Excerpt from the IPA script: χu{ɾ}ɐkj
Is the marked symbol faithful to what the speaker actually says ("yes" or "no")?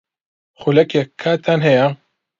no